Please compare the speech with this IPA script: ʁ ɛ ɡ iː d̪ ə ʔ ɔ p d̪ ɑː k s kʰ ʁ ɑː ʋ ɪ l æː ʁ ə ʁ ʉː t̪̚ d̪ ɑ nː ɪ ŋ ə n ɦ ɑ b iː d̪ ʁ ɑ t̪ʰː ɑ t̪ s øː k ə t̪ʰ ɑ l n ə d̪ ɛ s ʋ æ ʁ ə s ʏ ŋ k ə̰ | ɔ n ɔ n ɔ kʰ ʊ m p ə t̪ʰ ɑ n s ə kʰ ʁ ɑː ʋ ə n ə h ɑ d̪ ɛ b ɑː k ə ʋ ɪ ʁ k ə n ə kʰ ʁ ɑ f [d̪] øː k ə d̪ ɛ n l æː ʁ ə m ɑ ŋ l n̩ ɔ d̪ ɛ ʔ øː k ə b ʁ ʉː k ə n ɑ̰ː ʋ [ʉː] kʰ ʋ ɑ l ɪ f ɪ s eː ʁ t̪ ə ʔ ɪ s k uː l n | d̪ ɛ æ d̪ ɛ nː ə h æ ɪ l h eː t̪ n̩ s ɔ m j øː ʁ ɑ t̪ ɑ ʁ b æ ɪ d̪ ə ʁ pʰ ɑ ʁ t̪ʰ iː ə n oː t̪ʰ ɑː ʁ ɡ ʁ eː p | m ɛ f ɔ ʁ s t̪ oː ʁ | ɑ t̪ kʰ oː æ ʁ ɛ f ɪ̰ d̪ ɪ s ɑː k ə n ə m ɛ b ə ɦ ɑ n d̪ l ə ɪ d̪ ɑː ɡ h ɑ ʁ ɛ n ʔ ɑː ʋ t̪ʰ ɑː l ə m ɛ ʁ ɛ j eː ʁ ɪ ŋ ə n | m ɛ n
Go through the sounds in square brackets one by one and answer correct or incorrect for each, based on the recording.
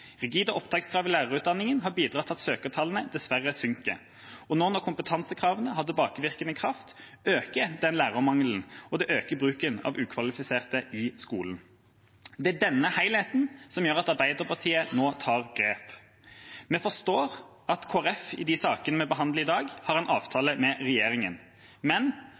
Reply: incorrect: t̪, correct

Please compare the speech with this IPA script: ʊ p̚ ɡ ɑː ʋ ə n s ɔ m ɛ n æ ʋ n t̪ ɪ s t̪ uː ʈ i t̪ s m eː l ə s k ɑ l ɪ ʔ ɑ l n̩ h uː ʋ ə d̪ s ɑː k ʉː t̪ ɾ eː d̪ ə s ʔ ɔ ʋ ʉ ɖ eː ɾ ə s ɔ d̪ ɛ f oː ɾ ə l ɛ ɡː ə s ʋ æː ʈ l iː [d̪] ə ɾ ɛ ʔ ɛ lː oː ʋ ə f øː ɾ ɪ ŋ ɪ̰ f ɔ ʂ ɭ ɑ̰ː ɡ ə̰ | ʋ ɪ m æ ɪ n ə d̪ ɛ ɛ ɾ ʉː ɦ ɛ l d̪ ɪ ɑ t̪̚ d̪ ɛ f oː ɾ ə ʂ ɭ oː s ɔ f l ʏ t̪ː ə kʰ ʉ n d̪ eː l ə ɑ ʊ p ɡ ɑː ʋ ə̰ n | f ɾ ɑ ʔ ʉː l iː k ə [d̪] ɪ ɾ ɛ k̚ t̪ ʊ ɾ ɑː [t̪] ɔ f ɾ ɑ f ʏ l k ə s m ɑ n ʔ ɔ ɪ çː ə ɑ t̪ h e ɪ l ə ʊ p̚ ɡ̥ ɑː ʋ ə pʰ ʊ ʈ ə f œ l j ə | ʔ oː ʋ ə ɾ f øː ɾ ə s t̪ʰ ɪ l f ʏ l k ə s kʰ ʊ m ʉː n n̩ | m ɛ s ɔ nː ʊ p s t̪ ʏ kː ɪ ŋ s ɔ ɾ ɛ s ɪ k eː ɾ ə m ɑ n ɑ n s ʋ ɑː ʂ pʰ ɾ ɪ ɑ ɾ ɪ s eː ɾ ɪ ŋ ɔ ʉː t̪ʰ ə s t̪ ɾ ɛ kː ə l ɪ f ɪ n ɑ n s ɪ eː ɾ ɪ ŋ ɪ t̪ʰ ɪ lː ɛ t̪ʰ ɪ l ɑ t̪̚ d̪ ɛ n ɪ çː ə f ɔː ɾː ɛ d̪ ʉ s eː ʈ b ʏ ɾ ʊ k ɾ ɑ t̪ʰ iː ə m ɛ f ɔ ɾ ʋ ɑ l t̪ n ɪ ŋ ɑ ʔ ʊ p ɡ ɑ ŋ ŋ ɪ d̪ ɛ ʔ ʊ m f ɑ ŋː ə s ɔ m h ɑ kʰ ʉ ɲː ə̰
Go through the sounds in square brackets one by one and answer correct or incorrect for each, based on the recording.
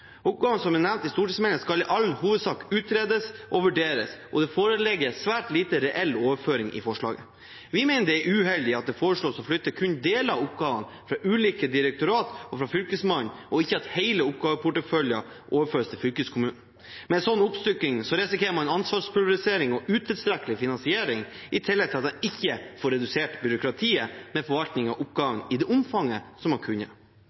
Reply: incorrect: t̪, correct, correct

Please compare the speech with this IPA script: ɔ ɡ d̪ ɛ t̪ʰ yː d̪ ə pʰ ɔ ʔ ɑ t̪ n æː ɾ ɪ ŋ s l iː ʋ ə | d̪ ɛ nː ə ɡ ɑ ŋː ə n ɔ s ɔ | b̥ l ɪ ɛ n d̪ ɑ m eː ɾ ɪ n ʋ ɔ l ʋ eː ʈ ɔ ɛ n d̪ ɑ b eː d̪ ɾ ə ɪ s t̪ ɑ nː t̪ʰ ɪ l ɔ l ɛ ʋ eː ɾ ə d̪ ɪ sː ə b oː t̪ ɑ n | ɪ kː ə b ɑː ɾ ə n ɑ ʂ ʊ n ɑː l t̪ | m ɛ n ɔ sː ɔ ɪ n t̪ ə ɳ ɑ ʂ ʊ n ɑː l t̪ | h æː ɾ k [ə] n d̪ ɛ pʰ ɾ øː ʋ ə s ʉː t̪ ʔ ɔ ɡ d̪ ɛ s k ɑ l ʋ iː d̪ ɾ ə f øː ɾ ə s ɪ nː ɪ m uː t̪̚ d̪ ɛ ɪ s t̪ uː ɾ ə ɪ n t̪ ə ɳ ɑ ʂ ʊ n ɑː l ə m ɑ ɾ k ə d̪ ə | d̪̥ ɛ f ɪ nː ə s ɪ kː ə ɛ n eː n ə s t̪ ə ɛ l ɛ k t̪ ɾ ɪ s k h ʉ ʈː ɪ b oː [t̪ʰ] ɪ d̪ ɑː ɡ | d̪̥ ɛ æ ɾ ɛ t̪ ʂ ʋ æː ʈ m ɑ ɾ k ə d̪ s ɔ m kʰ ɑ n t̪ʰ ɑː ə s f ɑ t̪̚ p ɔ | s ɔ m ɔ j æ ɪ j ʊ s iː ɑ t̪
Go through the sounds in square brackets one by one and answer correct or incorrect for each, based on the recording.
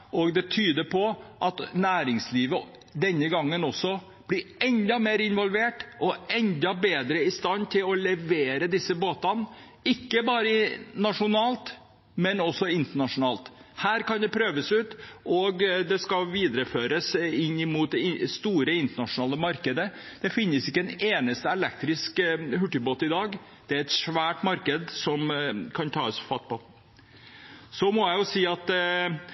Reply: incorrect: ɑ, incorrect: t̪

